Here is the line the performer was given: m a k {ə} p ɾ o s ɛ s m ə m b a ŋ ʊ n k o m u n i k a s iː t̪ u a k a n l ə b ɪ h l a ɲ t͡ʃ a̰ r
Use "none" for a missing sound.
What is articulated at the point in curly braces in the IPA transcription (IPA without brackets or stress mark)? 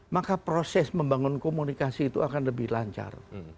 a